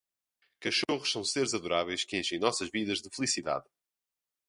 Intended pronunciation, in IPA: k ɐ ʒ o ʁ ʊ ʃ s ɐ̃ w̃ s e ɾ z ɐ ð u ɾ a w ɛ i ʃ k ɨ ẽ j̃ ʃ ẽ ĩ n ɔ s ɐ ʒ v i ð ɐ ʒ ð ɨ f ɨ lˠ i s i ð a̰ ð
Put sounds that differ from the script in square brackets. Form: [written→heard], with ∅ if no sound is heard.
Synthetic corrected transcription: k ɐ [ʒ→ʃ] o ʁ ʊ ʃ s ɐ̃ w̃ s e ɾ z ɐ ð u ɾ a [w→v] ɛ [i→j] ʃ k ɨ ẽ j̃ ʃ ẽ [ĩ→j̃] n ɔ s ɐ ʒ v i ð ɐ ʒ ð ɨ f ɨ lˠ i s i ð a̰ ð